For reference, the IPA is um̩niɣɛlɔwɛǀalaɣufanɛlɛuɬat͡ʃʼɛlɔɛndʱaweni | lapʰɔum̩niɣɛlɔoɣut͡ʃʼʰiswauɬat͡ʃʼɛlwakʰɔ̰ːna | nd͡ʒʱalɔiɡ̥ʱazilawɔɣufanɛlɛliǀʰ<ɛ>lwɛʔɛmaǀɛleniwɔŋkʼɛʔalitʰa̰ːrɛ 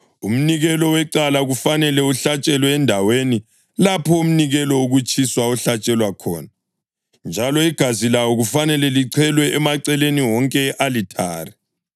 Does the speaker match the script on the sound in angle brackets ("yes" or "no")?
yes